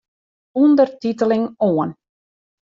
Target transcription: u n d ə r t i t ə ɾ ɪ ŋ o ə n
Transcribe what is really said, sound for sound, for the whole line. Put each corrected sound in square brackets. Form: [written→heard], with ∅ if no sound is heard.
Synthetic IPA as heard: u n d ə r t i t ə [ɾ→l] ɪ ŋ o ə n